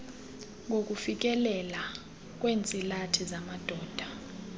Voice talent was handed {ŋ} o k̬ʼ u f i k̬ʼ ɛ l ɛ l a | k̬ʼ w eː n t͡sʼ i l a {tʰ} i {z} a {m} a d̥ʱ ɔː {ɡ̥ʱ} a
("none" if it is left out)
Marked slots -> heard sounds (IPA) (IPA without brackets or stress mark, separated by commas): ŋ, tʰ, z, m, d̥ʱ